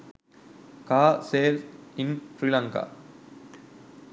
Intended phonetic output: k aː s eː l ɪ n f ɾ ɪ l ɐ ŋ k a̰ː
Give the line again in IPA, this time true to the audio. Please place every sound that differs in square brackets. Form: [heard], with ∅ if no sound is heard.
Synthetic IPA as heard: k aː s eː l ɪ n f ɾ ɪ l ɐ ŋ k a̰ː